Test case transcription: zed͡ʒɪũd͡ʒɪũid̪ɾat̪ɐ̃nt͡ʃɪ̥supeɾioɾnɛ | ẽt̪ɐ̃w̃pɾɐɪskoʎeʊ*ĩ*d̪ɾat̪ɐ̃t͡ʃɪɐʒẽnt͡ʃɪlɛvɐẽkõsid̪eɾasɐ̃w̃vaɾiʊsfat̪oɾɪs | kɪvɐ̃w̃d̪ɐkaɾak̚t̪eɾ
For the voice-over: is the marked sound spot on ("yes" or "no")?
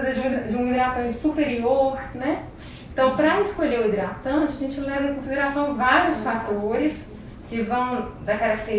no